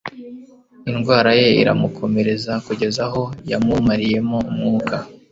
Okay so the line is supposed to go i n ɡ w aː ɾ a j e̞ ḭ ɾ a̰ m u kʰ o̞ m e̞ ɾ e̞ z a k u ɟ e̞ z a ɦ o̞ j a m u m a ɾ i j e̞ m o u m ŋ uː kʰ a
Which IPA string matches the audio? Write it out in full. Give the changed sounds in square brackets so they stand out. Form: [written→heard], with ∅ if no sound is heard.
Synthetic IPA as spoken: i n ɡ w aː ɾ a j e̞ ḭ ɾ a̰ m u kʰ o̞ m e̞ ɾ e̞ z a k u ɟ e̞ z a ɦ o̞ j a m u m a ɾ i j e̞ m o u m ŋ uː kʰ a